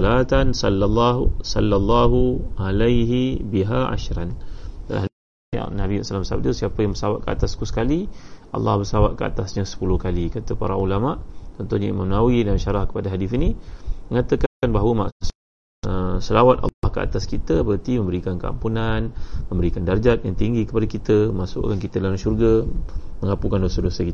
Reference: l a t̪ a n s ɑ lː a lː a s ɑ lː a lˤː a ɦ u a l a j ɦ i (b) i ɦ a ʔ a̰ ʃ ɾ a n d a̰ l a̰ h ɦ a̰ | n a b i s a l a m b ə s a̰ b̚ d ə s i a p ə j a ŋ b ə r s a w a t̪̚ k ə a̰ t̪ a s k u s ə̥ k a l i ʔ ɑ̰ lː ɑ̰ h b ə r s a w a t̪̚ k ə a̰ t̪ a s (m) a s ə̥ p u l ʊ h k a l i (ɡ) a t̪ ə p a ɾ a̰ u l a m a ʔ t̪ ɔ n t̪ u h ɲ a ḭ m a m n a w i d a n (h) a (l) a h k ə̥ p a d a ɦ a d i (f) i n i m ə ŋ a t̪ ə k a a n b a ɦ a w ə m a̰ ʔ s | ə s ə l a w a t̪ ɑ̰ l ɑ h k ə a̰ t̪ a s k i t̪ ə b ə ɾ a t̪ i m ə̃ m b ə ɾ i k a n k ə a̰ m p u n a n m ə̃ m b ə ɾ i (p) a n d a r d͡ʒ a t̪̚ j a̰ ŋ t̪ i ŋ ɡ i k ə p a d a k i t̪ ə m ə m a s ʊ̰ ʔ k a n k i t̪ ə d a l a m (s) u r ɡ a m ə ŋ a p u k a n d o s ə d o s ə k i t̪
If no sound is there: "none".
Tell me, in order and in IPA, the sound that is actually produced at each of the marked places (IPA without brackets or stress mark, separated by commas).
b, ɲ, k, ʃ, ɾ, f, k, ʃ